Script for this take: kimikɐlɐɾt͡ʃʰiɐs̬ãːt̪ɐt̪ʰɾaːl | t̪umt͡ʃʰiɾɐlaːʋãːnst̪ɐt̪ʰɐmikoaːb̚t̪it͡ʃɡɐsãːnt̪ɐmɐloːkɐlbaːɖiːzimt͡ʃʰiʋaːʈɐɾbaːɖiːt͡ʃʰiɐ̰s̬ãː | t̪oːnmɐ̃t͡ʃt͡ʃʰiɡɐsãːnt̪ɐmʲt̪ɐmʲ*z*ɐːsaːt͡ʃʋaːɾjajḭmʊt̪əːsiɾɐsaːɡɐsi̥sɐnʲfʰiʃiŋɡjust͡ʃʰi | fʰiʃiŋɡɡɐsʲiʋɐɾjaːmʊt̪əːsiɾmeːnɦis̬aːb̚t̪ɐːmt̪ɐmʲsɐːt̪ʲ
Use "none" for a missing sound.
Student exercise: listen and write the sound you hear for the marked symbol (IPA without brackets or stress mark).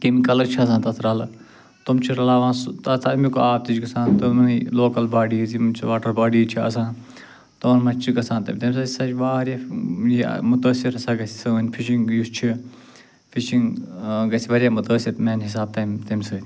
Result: s